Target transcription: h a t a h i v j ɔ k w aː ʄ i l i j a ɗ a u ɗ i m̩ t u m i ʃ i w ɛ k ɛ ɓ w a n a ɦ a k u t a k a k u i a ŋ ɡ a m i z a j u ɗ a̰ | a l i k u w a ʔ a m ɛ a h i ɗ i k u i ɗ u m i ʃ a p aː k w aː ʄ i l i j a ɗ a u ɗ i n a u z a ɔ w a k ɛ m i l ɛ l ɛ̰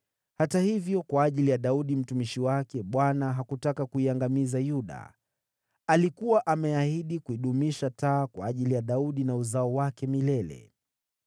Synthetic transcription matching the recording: h a t a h i v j ɔ k w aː ʄ i l i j a ɗ a u ɗ i m̩ t u m i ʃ i w a k ɛ ɓ w a n a ɦ a k u t a k a k u i a ŋ ɡ a m i z a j u ɗ a̰ | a l i k u w a ʔ a m ɛ a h i ɗ i k u i ɗ u m i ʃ a t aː k w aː ʄ i l i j a ɗ a u ɗ i n a u z a ɔ w a k ɛ m i l ɛ l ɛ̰